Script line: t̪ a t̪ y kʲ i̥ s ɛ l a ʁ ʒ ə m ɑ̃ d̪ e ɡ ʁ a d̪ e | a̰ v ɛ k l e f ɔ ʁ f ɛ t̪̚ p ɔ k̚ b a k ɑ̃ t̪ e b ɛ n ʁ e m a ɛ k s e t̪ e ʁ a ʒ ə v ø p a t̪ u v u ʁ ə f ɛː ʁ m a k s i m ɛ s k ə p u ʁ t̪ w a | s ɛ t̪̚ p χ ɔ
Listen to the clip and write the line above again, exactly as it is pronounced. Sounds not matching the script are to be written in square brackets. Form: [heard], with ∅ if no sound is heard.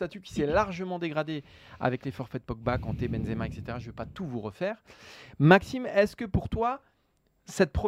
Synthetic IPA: t̪ a t̪ y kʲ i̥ s ɛ l a ʁ ʒ ə m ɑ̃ d̪ e ɡ ʁ a d̪ e | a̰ v ɛ k l e f ɔ ʁ f ɛ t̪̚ p ɔ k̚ b a k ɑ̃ t̪ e b ɛ n [z] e m a ɛ k s e t̪ e ʁ a ʒ ə v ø p a t̪ u v u ʁ ə f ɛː ʁ m a k s i m ɛ s k ə p u ʁ t̪ w a | s ɛ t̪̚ p χ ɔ